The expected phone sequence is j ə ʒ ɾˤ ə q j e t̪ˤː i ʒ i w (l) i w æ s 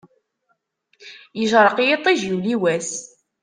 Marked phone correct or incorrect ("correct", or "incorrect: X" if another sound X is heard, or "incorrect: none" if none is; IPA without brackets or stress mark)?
correct